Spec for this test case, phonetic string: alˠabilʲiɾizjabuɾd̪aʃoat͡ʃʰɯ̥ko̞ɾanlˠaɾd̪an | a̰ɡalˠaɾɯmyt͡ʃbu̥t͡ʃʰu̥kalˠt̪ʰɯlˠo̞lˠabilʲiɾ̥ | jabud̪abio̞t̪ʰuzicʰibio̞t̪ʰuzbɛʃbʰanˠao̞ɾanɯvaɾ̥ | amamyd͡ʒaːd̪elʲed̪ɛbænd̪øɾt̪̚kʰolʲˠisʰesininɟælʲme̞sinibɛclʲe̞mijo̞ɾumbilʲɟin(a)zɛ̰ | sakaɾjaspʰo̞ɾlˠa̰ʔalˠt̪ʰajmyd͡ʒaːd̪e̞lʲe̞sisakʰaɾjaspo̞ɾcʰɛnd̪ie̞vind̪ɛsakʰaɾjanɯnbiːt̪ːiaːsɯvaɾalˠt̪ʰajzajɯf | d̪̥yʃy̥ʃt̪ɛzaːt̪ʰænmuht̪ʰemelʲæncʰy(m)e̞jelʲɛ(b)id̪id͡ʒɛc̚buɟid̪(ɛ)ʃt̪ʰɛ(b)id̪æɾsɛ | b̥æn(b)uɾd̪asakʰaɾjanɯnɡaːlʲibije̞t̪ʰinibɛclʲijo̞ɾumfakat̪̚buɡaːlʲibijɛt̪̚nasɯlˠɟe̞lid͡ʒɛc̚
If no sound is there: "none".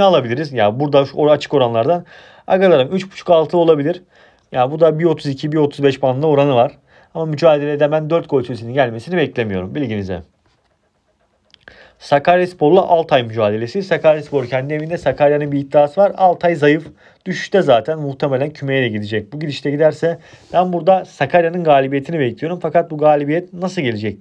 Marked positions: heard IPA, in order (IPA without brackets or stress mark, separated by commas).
i, m, ɟ, i, ɟ, b